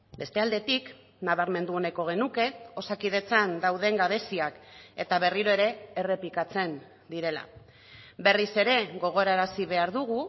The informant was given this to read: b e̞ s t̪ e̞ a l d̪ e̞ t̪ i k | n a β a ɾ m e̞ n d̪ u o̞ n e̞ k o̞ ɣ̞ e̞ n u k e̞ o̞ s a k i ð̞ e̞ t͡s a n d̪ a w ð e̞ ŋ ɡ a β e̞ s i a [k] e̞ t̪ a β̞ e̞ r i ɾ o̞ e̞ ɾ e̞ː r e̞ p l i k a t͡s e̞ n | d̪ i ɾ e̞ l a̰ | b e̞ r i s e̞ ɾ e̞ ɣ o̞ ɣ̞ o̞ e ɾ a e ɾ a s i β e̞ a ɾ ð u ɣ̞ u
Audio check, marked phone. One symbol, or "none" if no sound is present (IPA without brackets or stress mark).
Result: k